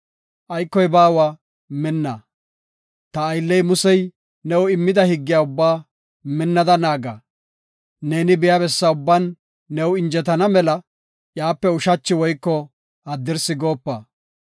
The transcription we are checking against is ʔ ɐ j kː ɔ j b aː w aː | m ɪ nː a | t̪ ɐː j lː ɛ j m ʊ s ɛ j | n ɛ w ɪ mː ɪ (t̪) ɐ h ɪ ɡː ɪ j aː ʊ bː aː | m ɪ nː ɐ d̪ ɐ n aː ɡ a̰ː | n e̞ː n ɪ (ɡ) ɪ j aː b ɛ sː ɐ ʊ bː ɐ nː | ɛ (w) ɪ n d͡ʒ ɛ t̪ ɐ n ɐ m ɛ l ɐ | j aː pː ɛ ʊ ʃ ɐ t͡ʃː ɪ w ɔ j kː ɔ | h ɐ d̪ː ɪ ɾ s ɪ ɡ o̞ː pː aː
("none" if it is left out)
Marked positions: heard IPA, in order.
d̪, b, w

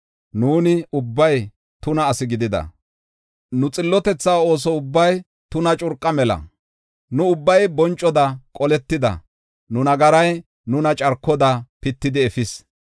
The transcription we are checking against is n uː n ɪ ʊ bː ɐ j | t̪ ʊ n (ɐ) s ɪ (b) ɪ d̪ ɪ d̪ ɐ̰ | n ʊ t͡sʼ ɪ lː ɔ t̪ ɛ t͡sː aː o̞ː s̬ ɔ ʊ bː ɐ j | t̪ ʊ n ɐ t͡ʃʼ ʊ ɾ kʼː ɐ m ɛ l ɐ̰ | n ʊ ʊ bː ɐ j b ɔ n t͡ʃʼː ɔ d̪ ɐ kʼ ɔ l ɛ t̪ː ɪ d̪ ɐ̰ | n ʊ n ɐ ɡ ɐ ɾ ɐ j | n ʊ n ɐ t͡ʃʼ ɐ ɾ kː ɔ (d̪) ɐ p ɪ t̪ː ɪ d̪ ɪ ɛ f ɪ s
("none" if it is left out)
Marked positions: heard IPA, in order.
ɐː, ɡ, d̪

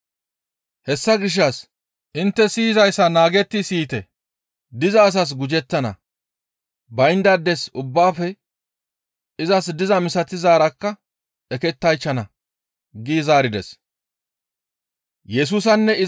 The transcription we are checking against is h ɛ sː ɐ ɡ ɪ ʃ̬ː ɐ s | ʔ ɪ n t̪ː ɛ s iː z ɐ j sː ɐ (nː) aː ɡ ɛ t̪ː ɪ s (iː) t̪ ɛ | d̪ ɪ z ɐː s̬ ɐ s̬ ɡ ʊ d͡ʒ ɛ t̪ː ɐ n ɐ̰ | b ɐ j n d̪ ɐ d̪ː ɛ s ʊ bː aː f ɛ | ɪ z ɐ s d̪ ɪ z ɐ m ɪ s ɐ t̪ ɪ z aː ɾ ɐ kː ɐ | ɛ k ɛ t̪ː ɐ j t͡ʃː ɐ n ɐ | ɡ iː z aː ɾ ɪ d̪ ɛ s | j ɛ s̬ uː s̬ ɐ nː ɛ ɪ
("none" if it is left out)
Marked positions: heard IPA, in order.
n, iː

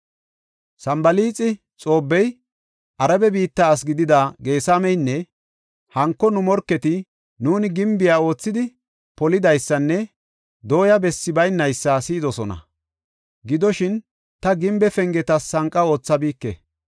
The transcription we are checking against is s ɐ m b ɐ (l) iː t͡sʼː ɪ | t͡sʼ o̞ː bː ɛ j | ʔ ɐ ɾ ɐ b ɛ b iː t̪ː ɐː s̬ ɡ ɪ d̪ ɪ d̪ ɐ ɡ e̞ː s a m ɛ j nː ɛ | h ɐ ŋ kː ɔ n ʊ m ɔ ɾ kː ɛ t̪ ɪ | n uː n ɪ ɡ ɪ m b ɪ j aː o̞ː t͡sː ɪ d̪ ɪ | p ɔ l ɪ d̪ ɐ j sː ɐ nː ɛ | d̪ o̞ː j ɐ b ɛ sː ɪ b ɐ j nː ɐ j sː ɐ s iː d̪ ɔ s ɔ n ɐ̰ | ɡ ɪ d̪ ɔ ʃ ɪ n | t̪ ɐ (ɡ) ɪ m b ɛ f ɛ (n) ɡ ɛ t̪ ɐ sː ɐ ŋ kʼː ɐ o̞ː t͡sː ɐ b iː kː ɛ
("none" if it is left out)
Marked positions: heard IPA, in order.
l, ɡ, ŋ

